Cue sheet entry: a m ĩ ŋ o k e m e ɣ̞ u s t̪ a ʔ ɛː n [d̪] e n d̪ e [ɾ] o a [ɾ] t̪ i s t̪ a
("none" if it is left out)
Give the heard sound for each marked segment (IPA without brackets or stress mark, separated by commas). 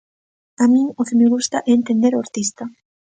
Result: t̪, ɾ, ɾ